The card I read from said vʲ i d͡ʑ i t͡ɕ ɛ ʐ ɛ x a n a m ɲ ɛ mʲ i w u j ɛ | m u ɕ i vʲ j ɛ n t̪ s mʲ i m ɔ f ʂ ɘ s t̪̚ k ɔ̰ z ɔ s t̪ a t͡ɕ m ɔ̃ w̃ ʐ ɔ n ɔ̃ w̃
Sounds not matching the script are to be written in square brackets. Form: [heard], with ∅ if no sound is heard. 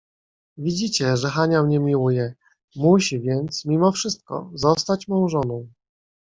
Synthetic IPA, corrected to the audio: vʲ i d͡ʑ i t͡ɕ ɛ ʐ ɛ x a [ɲ] a m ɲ ɛ mʲ i w u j ɛ | m u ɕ i vʲ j ɛ n t̪ s mʲ i m ɔ f ʂ ɘ s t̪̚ k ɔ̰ z ɔ s t̪ a t͡ɕ m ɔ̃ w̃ ʐ ɔ n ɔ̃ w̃